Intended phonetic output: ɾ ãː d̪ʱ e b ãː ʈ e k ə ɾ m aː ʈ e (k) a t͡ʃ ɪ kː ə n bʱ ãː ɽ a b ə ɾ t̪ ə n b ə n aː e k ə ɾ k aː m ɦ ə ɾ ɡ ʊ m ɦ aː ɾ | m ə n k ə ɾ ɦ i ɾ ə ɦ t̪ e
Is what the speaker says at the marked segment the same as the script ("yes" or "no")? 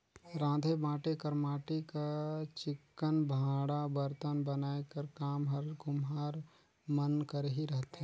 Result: yes